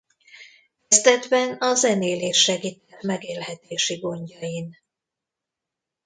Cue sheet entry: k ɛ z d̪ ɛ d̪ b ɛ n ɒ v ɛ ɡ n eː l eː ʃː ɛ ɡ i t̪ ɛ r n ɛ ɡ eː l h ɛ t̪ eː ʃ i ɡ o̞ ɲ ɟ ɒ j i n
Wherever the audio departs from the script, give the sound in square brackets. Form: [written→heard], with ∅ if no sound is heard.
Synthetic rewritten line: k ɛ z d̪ ɛ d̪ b ɛ n ɒ [v→z] ɛ [ɡ→∅] n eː l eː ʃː ɛ ɡ i t̪ ɛ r [n→m] ɛ ɡ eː l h ɛ t̪ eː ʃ i ɡ o̞ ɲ ɟ ɒ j i n